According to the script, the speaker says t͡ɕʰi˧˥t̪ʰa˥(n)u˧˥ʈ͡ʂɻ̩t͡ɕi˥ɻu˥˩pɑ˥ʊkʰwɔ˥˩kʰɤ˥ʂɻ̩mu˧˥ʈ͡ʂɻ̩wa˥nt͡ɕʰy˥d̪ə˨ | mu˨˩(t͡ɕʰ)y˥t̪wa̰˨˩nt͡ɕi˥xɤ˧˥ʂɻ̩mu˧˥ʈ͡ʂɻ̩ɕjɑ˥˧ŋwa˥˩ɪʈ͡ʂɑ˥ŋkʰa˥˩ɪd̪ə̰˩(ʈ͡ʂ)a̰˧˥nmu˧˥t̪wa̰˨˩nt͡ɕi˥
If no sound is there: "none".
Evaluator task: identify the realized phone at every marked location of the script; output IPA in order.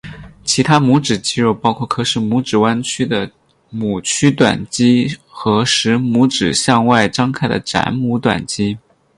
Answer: m, t͡ɕʰ, ʈ͡ʂ

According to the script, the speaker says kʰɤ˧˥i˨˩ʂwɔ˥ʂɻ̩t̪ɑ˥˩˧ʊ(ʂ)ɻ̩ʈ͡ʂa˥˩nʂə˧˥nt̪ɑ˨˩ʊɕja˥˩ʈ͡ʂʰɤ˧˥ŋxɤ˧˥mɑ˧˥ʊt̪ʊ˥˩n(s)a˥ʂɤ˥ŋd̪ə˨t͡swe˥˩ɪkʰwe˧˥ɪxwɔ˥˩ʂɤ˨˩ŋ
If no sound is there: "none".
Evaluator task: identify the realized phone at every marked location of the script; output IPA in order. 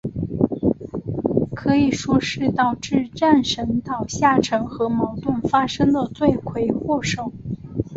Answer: ʈ͡ʂ, f

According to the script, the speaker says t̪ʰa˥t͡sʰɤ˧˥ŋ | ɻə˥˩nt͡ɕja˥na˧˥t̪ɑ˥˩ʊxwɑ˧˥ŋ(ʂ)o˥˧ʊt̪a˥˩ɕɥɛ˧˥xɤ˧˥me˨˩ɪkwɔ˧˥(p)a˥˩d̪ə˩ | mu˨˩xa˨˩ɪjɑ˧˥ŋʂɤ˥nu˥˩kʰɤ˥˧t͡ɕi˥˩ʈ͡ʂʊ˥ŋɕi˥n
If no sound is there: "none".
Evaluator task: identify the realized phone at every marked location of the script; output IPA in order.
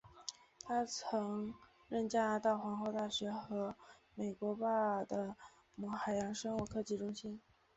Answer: x, p

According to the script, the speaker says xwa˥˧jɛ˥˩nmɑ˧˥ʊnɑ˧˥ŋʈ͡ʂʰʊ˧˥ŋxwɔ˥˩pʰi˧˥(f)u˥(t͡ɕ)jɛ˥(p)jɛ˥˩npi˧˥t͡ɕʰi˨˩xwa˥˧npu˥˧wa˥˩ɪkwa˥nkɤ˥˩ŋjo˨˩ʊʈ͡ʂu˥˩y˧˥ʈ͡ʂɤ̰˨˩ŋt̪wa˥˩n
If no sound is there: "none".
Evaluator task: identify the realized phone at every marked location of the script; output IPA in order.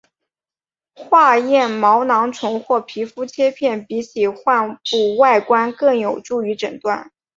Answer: f, t͡ɕʰ, pʰ

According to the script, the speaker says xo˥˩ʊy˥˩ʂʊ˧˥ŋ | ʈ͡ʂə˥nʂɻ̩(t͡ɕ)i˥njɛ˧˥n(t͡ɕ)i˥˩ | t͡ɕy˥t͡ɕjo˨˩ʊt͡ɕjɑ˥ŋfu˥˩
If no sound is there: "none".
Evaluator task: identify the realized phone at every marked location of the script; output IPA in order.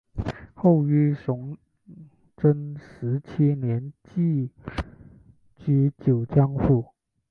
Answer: t͡ɕʰ, t͡ɕ

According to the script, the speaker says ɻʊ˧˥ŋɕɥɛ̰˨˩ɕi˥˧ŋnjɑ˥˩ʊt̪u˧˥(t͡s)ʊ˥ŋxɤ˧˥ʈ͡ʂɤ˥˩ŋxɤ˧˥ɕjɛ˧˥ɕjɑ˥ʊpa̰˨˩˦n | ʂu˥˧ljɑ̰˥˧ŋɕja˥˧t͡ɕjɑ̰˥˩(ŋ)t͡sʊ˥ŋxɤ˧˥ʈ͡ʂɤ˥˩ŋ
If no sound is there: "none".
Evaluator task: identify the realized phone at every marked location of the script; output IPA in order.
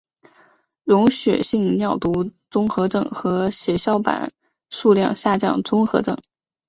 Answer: t͡s, ŋ

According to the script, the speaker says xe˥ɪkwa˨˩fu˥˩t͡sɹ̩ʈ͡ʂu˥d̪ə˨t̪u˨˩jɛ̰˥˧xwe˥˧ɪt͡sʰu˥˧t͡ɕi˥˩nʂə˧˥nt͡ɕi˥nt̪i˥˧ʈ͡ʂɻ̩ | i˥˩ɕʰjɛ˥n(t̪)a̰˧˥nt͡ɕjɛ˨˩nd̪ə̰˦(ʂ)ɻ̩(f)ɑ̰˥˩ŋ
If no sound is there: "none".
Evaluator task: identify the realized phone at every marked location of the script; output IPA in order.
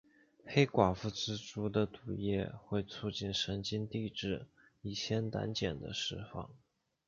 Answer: t̪, ʂ, f

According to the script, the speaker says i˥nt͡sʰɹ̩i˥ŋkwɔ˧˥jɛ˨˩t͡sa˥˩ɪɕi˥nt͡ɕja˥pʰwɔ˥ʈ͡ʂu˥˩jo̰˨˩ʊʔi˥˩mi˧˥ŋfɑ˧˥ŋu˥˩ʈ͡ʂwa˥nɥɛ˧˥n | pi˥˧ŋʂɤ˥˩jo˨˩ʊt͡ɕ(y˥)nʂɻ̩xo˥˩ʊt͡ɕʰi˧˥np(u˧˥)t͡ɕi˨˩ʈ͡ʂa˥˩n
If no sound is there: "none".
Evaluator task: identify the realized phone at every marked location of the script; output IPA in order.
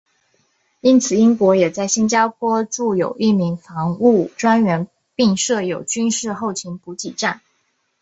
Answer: y˥, u˧˥

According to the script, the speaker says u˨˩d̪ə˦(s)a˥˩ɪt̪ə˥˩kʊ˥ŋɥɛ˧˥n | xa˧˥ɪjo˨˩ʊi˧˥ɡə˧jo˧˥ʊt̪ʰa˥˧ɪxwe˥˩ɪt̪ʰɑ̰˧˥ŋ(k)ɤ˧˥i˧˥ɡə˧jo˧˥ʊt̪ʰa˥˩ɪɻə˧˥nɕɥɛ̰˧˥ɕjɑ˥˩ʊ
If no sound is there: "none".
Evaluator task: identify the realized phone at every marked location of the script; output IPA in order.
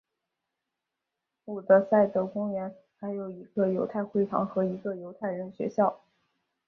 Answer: s, x

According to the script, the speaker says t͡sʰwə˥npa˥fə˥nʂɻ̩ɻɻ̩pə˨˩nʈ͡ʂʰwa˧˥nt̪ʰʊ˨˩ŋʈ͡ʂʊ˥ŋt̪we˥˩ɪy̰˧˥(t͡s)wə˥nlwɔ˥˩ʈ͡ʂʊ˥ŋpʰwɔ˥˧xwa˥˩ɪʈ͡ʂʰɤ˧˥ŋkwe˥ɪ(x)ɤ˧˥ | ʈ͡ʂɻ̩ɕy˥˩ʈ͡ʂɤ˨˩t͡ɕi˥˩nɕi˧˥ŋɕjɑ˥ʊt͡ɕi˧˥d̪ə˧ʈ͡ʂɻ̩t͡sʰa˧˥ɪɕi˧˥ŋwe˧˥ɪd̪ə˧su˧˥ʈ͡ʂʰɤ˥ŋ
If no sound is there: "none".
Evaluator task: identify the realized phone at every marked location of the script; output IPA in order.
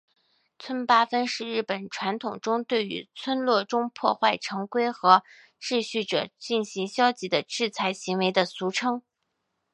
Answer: t͡sʰ, x

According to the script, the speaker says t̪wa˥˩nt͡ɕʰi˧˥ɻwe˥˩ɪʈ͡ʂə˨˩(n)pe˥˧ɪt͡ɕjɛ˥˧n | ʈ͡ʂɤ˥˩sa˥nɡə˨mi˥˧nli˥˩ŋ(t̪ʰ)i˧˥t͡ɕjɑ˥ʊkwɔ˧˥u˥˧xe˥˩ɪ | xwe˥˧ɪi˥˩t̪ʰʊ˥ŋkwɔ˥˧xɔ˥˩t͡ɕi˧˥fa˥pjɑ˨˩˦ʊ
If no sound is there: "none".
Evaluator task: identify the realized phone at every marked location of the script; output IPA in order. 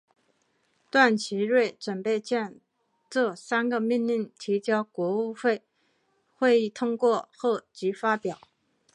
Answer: n, t̪ʰ

